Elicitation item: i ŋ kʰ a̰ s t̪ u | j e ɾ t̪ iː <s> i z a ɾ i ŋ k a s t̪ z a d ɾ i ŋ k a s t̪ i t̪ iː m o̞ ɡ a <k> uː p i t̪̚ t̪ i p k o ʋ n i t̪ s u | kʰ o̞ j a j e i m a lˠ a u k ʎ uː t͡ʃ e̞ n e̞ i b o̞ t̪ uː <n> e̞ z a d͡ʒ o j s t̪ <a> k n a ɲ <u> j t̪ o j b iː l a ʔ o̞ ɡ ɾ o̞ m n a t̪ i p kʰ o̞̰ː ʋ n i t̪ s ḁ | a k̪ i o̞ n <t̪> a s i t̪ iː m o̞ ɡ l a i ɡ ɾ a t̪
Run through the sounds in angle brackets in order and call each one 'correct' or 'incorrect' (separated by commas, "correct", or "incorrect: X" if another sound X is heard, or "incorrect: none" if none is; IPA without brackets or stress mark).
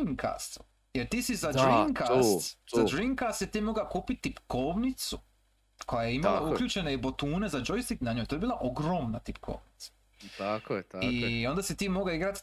correct, correct, correct, incorrect: i, incorrect: o, incorrect: d̪